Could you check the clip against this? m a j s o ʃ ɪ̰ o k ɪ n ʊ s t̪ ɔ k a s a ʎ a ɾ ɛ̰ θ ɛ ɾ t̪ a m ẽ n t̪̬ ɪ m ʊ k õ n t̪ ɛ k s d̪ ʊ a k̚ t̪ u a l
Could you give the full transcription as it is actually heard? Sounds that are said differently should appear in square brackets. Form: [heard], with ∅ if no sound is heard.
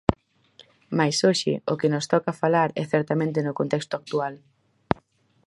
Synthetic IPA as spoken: m a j s o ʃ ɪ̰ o k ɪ n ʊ s t̪ ɔ k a [f] a [l] a ɾ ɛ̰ θ ɛ ɾ t̪ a m ẽ n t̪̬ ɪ [n] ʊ k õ n t̪ ɛ k s [t̪] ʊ a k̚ t̪ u a l